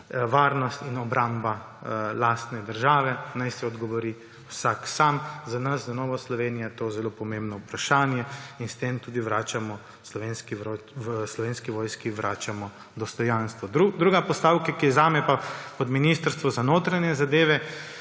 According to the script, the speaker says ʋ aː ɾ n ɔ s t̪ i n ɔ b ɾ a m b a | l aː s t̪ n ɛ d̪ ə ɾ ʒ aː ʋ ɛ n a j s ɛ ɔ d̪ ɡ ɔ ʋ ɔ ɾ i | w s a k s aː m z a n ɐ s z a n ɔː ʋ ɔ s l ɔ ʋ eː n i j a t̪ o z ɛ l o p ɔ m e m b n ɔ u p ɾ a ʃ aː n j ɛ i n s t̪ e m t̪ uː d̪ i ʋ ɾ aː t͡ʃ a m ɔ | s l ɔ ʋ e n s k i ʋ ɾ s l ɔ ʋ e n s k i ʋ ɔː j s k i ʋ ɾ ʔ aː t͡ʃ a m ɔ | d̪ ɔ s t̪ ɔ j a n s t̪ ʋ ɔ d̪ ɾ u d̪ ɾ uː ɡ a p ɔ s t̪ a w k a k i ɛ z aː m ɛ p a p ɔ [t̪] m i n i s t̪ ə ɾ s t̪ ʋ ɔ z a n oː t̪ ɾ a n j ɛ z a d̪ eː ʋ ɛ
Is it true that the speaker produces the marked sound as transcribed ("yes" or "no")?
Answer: no